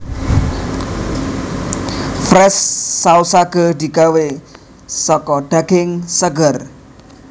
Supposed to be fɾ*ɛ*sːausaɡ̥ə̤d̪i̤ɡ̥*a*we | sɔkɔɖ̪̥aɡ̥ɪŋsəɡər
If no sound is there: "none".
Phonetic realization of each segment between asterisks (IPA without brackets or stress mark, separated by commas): ɛ, a